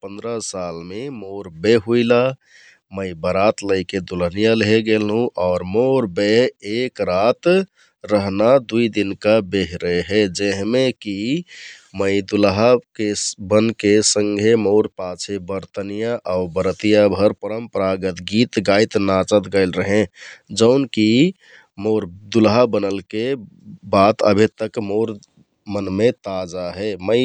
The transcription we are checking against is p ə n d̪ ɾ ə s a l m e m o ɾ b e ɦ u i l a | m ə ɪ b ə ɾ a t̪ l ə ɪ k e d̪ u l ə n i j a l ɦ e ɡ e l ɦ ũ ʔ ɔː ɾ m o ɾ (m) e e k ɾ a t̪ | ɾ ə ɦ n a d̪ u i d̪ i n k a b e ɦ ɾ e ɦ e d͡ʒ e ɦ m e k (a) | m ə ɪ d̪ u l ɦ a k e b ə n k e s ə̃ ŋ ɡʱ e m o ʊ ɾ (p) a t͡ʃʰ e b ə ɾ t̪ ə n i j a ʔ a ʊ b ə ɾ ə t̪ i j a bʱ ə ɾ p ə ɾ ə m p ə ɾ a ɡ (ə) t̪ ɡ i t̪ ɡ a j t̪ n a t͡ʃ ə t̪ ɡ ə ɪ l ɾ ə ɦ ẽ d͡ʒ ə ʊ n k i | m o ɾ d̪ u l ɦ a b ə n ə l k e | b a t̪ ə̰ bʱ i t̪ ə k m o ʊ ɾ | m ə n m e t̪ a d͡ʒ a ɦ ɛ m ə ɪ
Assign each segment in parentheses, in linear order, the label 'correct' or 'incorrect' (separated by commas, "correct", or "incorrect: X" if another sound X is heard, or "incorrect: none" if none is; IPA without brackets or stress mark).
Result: incorrect: b, incorrect: i, correct, correct